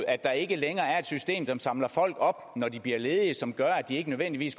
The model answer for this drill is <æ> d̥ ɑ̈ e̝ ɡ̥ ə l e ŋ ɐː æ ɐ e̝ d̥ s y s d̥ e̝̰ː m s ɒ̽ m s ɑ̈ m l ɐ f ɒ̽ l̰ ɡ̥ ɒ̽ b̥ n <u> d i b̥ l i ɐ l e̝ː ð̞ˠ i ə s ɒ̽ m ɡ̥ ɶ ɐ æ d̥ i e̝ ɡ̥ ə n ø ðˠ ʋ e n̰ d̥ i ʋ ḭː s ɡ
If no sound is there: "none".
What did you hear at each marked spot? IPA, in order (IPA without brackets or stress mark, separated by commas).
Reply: æ, ɒ